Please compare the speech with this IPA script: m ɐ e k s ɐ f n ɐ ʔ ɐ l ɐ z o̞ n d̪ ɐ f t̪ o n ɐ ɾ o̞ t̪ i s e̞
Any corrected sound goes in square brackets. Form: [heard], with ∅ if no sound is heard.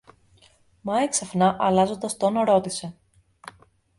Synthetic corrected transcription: m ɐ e k s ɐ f n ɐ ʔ ɐ l ɐ z o̞ n d̪ ɐ [s] t̪ o n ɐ ɾ o̞ t̪ i s e̞